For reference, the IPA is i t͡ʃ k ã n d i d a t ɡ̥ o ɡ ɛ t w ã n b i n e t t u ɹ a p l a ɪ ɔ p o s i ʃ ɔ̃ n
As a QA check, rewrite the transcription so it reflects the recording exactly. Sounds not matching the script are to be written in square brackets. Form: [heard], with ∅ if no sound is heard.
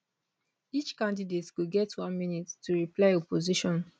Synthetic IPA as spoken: i t͡ʃ k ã n d i d [e] t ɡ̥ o ɡ ɛ t w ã n [m] i n [i] t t u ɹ [i] p l a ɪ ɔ p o [z] i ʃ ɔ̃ n